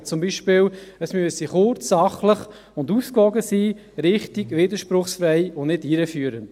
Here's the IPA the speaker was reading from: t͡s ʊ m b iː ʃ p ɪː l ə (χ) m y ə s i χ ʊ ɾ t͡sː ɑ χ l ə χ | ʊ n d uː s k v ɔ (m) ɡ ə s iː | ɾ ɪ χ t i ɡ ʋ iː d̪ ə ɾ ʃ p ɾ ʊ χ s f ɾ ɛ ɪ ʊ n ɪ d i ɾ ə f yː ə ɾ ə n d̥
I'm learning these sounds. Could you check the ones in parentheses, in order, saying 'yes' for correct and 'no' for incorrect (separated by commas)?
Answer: no, no